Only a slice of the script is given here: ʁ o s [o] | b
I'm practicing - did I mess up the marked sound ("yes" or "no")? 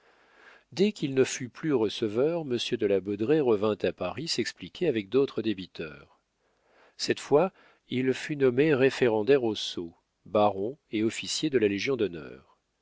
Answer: no